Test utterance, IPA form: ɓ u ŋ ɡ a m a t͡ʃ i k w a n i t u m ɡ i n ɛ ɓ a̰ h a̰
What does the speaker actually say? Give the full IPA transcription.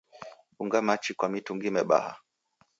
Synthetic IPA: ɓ u ŋ ɡ a m a t͡ʃ i k w a m i t u ŋ ɡ i m ɛ ɓ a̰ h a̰